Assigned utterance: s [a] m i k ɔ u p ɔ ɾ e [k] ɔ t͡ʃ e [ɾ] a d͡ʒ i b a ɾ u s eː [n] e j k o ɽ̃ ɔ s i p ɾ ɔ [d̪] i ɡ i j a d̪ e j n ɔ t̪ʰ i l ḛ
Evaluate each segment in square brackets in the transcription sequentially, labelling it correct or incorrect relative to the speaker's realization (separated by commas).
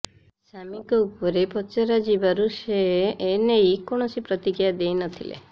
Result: correct, incorrect, correct, correct, incorrect